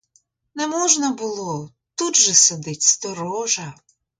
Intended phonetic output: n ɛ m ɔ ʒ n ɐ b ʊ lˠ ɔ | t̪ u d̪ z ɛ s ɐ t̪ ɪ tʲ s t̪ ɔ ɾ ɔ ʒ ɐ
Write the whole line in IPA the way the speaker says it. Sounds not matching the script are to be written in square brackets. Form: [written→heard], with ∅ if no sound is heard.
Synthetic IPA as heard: n ɛ m ɔ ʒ n ɐ b ʊ lˠ ɔ | t̪ u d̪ [z→ʒ] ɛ s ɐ [t̪→d̪] ɪ tʲ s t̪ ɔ ɾ ɔ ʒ ɐ